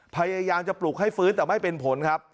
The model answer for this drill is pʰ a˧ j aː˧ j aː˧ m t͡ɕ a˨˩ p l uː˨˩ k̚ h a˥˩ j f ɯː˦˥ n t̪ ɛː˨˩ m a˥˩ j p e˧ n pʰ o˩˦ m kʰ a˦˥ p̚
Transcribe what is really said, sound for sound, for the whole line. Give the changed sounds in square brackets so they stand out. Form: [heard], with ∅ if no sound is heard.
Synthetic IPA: pʰ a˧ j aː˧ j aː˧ m t͡ɕ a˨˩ p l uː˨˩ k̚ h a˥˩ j f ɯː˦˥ n t̪ ɛː˨˩ m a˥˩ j p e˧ n pʰ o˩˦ [n] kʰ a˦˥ p̚